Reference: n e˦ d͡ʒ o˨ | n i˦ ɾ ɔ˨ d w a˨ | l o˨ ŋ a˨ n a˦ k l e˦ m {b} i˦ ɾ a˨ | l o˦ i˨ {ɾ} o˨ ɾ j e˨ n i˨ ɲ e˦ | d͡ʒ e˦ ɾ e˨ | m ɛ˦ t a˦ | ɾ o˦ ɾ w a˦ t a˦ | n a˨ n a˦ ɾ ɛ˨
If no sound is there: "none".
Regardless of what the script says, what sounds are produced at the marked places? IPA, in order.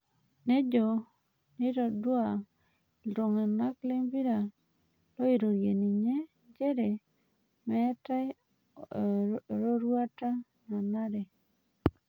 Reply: b, ɾ

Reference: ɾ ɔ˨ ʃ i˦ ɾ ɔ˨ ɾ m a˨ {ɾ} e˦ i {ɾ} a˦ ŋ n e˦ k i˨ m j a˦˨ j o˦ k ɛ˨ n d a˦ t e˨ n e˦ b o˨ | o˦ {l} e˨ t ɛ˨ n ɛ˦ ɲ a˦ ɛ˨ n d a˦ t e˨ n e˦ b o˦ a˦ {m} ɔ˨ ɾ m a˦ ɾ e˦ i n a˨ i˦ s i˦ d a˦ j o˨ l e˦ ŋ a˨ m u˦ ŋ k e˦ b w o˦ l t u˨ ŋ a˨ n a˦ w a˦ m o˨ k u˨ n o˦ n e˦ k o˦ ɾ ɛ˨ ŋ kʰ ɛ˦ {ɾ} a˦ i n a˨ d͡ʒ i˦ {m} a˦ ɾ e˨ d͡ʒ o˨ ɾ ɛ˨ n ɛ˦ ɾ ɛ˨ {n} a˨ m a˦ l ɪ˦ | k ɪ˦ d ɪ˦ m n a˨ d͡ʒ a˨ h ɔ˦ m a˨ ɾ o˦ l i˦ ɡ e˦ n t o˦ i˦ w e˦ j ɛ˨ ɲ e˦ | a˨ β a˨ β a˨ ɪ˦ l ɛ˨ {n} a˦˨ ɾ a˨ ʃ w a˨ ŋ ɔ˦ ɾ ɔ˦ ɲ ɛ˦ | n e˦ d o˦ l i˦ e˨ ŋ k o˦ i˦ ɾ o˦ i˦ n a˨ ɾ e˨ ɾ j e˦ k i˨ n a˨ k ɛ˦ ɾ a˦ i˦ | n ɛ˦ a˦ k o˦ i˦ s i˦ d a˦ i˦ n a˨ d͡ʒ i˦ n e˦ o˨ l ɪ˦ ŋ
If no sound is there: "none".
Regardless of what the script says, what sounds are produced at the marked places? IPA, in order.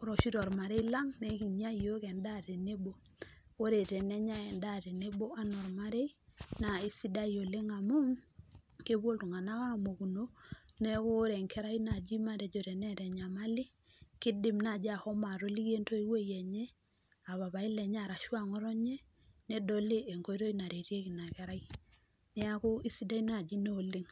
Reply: ɾ, l, ɾ, n, ɾ, m, ɲ, ɲ

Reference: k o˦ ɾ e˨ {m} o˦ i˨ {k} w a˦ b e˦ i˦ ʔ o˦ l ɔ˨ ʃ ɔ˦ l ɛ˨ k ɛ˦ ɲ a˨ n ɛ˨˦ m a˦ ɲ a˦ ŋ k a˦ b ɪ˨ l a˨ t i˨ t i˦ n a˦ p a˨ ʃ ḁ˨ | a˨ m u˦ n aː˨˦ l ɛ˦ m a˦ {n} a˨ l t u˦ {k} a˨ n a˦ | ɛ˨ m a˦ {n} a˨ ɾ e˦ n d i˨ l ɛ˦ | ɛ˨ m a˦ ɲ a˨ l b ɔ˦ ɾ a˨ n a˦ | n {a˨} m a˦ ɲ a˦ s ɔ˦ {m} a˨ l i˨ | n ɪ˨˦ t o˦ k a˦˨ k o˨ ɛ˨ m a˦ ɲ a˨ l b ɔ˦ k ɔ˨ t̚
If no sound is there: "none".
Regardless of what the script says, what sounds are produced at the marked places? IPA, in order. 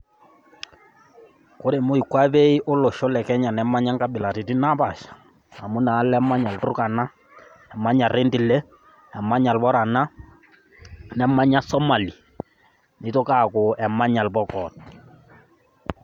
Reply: m, k, ɲ, k, ɲ, ɛ˨, m

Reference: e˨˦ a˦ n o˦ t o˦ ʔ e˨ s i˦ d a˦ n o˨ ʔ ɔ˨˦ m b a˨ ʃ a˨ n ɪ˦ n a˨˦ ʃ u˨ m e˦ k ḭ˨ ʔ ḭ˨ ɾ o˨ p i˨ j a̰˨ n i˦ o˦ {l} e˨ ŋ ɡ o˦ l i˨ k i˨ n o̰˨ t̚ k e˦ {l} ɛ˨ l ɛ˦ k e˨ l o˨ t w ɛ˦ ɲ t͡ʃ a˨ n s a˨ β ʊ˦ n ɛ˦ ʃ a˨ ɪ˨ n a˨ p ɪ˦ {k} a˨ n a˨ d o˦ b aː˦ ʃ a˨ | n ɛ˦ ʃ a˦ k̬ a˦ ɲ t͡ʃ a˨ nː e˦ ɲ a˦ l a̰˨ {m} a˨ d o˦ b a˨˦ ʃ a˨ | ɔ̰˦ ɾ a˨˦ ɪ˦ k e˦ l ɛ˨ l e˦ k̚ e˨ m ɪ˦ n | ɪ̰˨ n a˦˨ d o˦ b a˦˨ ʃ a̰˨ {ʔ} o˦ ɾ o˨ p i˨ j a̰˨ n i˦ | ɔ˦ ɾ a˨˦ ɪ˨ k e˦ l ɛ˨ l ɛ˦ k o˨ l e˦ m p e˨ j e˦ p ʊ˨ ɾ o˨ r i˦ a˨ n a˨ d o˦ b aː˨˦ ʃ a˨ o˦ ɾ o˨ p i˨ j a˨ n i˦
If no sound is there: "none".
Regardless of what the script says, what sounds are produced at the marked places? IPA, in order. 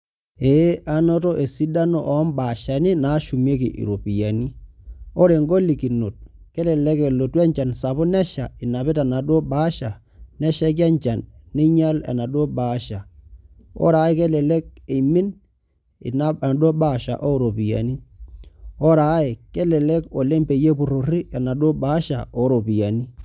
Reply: ɾ, l, t, n, ʔ

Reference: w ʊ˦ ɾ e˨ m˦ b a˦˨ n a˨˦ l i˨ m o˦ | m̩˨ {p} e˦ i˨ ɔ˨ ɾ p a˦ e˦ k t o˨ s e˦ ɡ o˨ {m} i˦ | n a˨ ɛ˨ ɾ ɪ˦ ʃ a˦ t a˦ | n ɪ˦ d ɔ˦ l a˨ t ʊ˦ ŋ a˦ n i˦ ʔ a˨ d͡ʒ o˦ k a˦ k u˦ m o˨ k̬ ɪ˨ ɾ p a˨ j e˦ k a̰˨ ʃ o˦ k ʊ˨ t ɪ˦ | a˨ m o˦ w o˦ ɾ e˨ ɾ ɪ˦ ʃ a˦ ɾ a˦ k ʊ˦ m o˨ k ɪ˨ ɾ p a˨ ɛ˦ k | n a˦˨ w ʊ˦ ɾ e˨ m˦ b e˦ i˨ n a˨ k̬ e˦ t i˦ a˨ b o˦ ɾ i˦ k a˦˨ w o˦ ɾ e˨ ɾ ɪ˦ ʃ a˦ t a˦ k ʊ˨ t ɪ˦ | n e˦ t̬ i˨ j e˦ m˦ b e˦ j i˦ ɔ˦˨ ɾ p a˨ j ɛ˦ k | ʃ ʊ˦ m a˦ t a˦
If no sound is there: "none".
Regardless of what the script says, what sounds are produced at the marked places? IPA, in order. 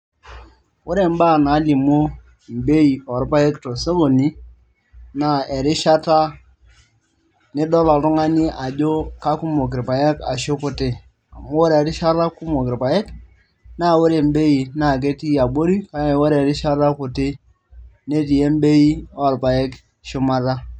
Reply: b, n

